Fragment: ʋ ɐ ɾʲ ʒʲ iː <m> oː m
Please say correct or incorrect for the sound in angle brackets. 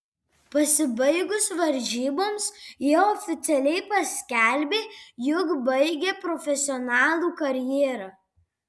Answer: incorrect